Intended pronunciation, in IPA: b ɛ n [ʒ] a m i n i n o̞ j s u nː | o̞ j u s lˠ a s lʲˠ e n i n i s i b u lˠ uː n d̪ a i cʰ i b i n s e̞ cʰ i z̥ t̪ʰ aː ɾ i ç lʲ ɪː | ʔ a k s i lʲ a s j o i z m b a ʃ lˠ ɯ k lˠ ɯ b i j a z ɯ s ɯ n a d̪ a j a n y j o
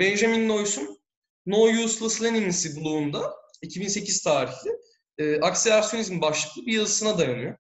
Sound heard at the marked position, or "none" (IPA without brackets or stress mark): ʒ